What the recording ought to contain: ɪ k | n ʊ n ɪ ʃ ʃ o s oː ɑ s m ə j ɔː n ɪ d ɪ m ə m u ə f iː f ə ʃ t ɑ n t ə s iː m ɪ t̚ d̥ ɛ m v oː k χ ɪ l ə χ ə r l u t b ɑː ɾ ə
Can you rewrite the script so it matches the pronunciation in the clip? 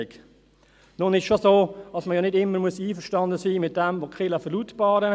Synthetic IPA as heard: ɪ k | n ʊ n ɪ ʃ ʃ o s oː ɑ s m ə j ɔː n ɪ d ɪ m ə m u ə s iː f ə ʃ t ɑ n d ə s iː m ɪ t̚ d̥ ɛ m v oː k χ ɪ l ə f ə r l u t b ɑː ɾ ə